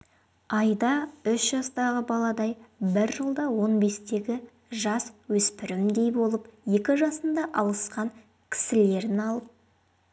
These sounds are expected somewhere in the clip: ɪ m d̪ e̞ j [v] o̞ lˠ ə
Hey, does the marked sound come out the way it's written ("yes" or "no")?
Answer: no